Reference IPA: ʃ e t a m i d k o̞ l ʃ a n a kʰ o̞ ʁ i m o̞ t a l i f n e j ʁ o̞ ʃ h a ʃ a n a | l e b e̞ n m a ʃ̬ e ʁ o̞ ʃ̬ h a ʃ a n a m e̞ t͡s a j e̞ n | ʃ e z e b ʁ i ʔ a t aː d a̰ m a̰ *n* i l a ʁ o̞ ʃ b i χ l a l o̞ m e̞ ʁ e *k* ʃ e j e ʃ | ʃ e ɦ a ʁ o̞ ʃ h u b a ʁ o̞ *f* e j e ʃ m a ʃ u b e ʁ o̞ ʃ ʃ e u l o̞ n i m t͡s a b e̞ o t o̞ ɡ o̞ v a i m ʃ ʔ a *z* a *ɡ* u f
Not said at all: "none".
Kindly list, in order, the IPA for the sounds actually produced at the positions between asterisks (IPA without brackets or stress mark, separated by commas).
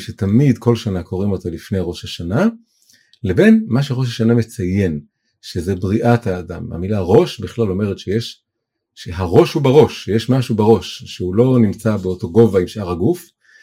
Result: m, t, ʃ, ʁ, ɡ